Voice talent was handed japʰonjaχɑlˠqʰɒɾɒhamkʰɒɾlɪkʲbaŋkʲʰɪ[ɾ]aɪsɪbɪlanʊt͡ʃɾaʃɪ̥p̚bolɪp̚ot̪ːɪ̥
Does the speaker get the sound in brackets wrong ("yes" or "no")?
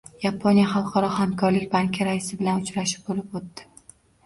no